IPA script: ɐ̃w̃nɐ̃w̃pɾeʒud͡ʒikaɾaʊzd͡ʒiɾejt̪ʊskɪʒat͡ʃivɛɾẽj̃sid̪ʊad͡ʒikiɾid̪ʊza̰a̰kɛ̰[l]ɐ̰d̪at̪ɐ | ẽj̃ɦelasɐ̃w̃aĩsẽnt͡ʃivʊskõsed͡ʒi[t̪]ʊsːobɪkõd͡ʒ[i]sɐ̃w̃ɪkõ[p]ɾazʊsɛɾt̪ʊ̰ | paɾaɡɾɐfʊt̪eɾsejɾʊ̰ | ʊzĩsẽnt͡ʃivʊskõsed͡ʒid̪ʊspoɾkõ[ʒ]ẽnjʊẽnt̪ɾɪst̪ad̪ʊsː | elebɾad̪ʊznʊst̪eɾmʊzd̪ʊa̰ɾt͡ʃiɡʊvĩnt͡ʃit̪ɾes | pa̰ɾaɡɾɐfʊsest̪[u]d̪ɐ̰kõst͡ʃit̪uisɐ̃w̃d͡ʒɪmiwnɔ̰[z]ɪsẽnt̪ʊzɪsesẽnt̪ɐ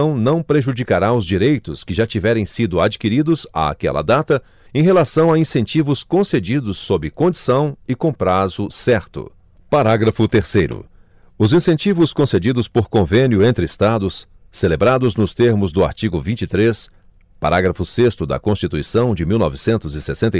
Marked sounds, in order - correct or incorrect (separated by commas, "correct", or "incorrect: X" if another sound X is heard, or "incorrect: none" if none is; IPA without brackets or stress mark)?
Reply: correct, incorrect: d̪, correct, correct, incorrect: v, incorrect: ʊ, incorrect: v